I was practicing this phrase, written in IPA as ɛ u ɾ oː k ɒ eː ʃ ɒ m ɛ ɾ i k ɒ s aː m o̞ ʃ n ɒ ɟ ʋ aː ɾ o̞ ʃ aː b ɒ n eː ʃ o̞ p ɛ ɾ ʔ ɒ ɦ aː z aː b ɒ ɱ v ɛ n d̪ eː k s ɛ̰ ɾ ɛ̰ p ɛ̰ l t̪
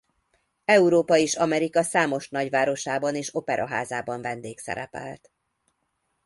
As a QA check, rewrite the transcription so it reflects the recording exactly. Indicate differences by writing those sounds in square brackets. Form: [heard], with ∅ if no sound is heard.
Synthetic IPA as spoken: ɛ u ɾ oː [p] ɒ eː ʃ ɒ m ɛ ɾ i k ɒ s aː m o̞ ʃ n ɒ ɟ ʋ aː ɾ o̞ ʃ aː b ɒ n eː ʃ o̞ p ɛ ɾ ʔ ɒ ɦ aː z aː b ɒ ɱ v ɛ n d̪ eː k s ɛ̰ ɾ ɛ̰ p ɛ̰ l t̪